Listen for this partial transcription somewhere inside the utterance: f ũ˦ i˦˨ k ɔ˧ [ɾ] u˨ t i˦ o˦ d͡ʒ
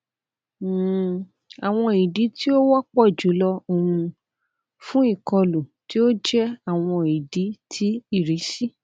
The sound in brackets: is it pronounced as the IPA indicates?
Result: no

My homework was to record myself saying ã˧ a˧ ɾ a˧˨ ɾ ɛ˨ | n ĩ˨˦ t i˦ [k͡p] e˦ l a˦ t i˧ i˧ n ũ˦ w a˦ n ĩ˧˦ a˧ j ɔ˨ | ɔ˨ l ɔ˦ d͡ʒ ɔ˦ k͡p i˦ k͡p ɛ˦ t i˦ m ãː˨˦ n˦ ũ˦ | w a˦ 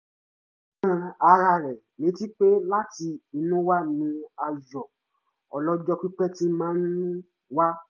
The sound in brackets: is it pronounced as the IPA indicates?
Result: yes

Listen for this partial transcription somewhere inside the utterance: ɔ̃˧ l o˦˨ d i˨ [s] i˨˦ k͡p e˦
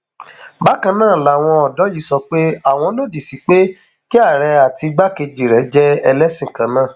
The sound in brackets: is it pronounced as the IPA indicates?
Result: yes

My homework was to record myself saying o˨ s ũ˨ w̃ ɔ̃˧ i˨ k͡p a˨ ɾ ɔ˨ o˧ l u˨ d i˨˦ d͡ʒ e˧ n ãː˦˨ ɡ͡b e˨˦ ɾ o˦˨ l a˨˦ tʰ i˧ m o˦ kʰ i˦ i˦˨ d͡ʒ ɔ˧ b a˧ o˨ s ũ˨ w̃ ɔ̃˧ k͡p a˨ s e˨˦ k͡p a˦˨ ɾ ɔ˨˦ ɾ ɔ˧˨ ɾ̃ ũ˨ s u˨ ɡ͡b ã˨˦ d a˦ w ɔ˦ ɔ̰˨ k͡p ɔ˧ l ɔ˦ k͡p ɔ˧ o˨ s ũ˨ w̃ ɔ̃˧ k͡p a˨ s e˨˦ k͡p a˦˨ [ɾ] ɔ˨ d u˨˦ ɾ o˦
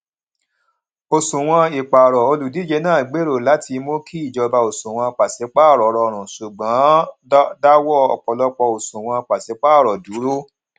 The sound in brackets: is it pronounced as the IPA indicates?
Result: yes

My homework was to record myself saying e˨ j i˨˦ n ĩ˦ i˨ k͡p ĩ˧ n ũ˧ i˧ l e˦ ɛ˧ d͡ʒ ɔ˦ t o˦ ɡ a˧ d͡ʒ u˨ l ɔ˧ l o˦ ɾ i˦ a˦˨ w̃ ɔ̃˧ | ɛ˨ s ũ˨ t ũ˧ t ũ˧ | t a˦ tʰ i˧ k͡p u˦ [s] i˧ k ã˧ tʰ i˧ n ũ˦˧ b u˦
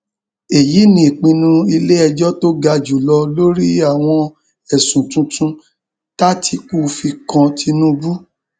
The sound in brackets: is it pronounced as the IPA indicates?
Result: no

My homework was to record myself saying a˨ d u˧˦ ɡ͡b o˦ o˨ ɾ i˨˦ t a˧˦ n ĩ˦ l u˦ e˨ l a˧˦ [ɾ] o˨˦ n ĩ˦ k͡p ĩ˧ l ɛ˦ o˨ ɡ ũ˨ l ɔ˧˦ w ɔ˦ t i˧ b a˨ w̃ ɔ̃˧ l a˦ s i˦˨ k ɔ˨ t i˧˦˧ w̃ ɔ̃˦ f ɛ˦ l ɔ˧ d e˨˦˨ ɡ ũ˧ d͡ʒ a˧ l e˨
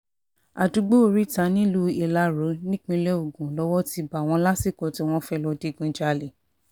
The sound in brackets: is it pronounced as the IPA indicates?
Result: yes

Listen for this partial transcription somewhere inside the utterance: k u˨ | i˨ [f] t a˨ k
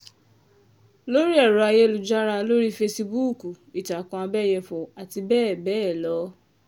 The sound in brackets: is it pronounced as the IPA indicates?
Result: no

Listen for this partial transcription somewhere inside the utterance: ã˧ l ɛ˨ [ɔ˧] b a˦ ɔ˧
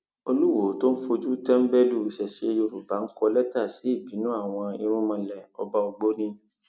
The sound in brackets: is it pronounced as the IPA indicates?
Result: yes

